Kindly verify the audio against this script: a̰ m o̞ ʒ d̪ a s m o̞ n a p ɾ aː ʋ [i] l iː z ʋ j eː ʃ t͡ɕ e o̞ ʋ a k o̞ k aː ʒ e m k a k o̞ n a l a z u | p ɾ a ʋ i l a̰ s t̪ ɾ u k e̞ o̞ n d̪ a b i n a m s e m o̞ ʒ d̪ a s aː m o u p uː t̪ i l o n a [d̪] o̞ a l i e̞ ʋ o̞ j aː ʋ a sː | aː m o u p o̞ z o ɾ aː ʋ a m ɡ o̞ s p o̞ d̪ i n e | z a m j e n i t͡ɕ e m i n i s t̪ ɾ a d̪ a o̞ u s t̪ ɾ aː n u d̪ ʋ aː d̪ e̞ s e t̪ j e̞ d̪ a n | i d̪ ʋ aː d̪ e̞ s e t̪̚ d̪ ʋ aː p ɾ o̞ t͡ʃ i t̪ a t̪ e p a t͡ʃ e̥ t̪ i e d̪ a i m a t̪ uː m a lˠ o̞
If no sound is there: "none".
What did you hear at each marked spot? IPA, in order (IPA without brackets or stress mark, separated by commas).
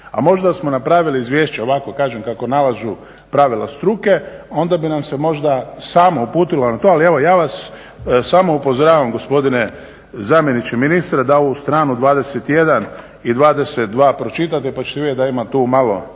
i, t̪